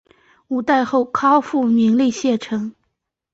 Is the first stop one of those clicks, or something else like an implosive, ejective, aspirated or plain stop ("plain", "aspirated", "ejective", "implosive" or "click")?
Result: plain